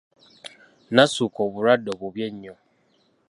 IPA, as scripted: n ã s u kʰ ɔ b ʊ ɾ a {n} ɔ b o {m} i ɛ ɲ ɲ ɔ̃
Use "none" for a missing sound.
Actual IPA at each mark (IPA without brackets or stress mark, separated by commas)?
d, b